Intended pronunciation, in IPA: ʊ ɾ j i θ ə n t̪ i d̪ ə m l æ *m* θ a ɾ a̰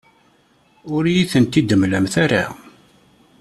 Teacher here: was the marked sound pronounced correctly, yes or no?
yes